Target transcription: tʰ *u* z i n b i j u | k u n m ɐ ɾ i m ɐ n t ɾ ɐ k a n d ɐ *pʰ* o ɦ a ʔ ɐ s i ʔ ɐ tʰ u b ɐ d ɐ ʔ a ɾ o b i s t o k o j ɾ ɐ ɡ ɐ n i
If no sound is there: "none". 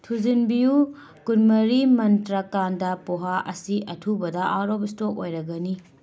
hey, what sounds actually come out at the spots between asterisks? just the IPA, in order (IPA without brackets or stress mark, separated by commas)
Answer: u, p